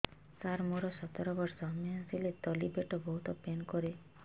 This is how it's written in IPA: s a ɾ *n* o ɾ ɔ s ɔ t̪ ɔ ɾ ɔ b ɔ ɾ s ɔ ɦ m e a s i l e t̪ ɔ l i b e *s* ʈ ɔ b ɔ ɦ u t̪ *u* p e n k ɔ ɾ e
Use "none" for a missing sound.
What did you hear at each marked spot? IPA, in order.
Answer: m, none, ɔ

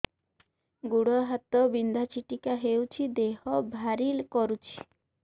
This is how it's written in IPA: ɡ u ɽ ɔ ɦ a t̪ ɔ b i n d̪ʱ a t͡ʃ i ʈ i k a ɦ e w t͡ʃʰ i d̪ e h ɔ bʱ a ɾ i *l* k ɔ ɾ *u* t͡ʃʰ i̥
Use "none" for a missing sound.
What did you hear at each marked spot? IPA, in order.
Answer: l, u

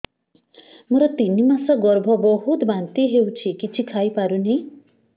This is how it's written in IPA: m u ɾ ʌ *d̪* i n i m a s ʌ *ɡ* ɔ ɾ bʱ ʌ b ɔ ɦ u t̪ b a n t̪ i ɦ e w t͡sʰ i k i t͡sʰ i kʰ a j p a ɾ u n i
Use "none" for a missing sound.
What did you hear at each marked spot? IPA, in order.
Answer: t̪, ɡ

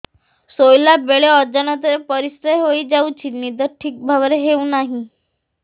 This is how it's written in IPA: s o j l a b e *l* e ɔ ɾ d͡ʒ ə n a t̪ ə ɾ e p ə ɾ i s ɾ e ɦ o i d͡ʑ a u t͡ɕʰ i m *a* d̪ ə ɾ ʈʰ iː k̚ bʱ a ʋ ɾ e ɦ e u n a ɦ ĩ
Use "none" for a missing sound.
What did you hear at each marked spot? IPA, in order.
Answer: ɭ, i

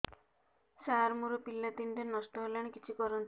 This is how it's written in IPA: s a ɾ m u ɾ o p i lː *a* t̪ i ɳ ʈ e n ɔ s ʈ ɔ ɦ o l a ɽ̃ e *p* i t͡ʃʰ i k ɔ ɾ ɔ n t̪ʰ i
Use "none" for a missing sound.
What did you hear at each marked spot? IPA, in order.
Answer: a, k

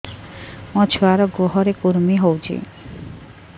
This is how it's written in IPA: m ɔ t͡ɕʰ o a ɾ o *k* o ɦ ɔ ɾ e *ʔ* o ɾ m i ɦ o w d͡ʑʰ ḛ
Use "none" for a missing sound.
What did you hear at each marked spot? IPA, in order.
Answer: ɡ, k

